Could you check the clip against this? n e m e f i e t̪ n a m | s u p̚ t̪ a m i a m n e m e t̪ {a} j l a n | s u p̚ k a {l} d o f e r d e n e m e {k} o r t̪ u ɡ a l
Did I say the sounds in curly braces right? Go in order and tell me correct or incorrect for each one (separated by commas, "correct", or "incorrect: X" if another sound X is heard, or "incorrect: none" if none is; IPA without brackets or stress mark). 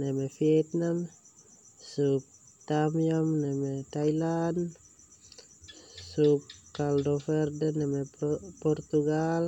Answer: correct, correct, incorrect: p